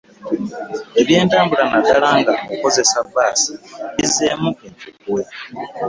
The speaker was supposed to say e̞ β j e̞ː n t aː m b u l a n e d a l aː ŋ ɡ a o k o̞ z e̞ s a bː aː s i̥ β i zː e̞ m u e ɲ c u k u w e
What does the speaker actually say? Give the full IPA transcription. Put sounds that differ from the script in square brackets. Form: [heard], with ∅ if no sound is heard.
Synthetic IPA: e̞ β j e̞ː n t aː m b u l a n [a] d a l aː ŋ ɡ a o k o̞ z e̞ s a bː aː s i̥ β i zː e̞ m u e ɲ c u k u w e

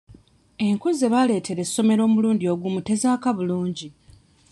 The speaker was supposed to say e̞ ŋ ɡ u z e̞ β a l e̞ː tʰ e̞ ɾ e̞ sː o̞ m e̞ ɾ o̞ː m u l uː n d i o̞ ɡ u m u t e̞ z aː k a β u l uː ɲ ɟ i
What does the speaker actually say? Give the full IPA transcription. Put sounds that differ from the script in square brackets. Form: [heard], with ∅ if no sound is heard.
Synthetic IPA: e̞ ŋ [k] u z e̞ β a l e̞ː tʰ e̞ ɾ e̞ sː o̞ m e̞ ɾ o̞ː m u l uː n d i o̞ ɡ u m u t e̞ z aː k a β u l uː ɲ ɟ i

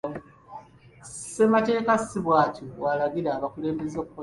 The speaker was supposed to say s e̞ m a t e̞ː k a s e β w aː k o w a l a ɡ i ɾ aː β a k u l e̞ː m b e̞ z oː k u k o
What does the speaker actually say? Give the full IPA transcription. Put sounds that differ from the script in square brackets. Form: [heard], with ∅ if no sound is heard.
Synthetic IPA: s e̞ m a t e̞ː k a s [i] β w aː [c] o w a l a ɡ i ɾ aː β a k u l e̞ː m b e̞ z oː k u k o

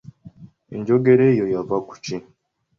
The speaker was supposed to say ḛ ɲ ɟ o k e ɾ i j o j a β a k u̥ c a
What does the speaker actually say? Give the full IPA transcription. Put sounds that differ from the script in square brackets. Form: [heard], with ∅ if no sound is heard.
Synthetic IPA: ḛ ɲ ɟ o [ɡ] e ɾ [e] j o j a [v] a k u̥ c [i]

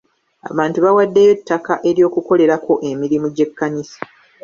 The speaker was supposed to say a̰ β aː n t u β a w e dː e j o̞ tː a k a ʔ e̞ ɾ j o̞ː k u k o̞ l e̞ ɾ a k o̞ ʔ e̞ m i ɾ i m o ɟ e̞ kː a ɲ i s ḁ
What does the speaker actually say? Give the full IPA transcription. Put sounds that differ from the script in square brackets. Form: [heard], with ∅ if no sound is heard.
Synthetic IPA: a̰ β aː n t u β a w [a] dː e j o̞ tː a k a ʔ e̞ ɾ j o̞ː k u k o̞ l e̞ ɾ a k o̞ ʔ e̞ m i ɾ i m [u] ɟ e̞ kː a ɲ i s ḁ

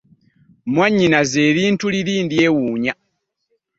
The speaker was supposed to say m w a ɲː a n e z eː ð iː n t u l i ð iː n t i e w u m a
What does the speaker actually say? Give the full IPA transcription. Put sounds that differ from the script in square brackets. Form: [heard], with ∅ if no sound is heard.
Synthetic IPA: m w a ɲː [i] n [a] z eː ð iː n t u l i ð iː n [d] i e w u [ɲ] a

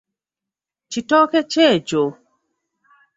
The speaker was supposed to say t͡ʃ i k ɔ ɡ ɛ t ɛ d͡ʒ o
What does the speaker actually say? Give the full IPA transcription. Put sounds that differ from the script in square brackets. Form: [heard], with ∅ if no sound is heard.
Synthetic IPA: t͡ʃ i [t] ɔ [k] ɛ [t͡ʃ] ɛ d͡ʒ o

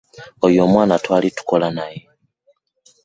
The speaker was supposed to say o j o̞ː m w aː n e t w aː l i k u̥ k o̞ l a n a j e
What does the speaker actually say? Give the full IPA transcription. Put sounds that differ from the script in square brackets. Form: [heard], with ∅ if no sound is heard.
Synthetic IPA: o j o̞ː m w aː n [a] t w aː l i [t] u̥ k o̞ l a n a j e

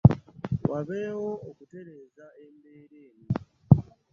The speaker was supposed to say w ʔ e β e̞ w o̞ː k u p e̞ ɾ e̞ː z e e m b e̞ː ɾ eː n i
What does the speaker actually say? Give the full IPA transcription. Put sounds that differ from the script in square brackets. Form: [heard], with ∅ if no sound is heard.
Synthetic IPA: w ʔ [a] β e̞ w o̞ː k u [t] e̞ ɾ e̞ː z [a] e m b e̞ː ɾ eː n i

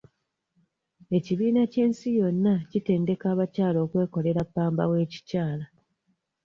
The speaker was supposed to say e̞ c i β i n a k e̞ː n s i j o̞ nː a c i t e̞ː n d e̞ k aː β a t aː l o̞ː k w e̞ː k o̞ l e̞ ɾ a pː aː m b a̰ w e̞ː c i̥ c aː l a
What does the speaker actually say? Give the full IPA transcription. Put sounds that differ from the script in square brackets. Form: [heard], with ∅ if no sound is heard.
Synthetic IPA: e̞ c i β [iː] n a [c] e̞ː n s i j o̞ nː a c i t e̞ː n d e̞ k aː β a [c] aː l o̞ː k w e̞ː k o̞ l e̞ ɾ a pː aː m b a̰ w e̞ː c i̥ c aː l a

